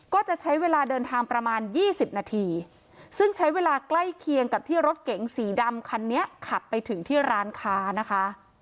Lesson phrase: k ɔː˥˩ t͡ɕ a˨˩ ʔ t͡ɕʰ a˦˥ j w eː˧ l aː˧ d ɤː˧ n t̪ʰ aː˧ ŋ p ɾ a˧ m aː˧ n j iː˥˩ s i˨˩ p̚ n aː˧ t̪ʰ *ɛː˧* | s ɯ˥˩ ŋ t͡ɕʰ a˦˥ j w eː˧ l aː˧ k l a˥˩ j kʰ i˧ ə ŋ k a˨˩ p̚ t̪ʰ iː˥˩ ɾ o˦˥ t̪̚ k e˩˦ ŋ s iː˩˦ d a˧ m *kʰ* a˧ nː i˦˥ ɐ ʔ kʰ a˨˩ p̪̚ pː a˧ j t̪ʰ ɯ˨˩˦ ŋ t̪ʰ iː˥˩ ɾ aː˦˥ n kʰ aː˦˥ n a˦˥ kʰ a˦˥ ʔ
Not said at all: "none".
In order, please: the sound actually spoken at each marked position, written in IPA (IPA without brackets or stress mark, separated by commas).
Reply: iː˧, kʰ